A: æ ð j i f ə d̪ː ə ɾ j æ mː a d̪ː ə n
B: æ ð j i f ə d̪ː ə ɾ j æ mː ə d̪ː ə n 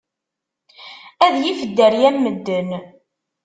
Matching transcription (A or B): B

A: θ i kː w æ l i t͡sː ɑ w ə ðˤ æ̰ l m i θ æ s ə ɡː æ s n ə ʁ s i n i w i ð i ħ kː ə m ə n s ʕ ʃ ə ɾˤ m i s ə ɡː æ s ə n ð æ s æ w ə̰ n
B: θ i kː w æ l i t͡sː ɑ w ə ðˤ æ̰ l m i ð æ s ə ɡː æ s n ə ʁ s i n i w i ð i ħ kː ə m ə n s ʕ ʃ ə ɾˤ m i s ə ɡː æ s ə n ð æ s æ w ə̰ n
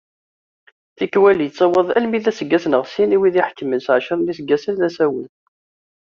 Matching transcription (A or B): B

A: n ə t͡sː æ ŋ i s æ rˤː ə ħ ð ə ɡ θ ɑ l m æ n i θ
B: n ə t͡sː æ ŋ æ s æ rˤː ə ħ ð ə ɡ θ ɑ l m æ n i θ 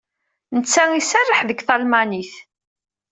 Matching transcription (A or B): A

